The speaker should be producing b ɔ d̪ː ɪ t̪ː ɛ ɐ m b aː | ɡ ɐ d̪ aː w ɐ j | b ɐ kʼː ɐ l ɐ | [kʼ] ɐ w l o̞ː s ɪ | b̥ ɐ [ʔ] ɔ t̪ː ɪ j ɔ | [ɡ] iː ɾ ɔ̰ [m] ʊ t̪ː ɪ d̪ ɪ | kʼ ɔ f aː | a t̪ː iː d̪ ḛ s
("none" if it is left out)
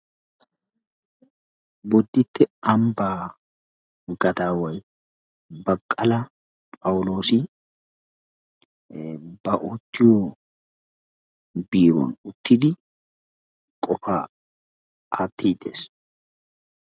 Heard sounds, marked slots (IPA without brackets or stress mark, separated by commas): pʼ, ʔ, b, n